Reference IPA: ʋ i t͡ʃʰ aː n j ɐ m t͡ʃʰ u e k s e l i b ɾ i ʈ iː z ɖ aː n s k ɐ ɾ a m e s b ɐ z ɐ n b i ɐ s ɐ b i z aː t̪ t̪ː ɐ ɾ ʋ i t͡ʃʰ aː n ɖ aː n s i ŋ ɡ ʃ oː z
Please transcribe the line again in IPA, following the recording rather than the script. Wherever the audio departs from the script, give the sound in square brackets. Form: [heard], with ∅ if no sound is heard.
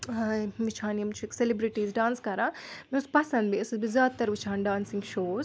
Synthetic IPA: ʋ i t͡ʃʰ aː n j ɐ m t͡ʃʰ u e k s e l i b ɾ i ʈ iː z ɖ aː n s k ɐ ɾ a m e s [p] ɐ [s] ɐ n b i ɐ s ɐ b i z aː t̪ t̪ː ɐ ɾ ʋ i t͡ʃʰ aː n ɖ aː n s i ŋ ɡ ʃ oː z